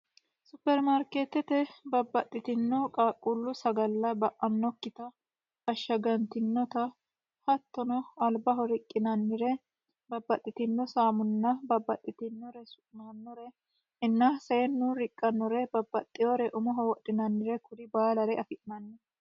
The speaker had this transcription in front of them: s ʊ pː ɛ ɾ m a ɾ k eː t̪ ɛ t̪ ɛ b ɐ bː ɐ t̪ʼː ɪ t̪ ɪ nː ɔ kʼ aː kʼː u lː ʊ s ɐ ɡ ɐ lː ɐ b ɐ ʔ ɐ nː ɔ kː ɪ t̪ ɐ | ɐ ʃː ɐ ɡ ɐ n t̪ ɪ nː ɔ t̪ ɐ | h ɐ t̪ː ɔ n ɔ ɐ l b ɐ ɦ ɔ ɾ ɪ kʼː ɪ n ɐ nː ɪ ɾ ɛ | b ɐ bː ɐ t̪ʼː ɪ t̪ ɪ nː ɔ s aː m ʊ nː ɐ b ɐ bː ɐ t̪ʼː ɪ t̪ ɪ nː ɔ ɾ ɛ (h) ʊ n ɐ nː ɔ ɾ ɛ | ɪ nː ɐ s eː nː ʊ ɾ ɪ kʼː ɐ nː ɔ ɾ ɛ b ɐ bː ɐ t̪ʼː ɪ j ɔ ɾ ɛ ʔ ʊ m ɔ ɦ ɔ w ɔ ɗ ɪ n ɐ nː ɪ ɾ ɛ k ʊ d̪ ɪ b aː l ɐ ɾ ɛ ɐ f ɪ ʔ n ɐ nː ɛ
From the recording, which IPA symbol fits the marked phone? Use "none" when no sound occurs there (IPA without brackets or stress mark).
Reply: s